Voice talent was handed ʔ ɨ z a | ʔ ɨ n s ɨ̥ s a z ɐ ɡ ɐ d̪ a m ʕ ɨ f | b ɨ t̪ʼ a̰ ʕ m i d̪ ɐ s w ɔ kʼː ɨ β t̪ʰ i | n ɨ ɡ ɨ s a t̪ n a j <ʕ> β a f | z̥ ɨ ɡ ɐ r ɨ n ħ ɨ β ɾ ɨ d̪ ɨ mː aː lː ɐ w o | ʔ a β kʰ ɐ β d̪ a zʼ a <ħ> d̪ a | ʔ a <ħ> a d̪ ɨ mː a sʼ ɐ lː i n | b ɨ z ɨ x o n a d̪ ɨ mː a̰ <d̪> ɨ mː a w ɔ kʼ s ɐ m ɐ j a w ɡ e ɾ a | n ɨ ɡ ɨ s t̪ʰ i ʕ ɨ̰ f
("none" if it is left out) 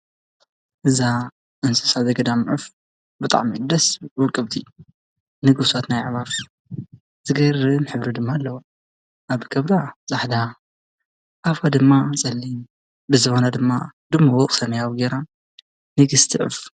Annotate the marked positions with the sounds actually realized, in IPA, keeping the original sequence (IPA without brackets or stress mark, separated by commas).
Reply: ʕ, ħ, f, d̪